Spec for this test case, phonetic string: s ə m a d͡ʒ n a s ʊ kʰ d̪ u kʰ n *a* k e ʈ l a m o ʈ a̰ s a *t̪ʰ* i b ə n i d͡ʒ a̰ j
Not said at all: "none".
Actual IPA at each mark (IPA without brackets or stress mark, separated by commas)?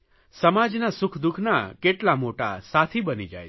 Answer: a, t̪ʰ